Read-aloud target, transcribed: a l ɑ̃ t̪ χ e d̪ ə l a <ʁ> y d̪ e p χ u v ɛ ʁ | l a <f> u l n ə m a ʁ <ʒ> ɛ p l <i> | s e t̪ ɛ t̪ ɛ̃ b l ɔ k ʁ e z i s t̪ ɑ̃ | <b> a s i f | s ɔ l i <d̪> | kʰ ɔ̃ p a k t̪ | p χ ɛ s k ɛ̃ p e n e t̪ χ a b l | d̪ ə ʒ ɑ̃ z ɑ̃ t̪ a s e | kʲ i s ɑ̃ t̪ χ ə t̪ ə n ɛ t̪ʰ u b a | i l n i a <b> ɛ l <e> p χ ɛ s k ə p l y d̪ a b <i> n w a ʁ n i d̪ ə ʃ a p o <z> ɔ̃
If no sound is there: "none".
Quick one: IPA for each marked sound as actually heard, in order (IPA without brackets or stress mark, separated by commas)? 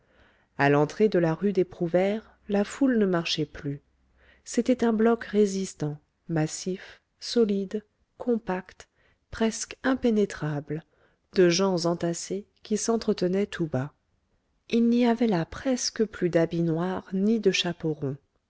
ʁ, f, ʃ, y, m, d̪, v, a, i, ʁ